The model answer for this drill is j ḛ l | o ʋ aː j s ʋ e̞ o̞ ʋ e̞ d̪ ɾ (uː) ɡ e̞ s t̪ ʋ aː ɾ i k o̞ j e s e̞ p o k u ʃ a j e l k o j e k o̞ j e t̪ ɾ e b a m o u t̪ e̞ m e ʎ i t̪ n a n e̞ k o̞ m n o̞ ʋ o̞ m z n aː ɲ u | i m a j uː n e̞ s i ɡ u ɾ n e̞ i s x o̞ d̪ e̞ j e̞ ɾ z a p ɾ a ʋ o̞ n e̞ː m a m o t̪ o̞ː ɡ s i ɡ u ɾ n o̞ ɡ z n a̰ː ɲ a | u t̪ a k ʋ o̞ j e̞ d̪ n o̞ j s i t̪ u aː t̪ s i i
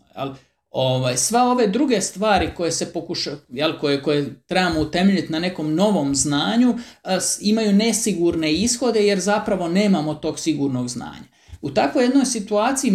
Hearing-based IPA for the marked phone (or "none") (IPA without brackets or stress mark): u